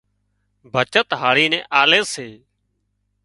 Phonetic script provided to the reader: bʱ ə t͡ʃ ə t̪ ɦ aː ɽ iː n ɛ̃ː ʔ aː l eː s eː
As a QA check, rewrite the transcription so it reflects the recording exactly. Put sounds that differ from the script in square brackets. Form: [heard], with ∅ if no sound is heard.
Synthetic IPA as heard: bʱ ə t͡ʃ ə t̪ ɦ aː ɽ iː n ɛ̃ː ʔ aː l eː s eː